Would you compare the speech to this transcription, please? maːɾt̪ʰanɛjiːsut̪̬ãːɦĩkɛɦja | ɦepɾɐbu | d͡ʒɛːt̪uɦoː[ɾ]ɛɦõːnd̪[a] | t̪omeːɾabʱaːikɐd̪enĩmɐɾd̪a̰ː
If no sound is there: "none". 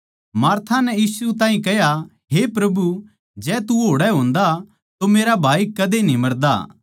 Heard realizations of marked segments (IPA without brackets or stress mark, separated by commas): ɽ, a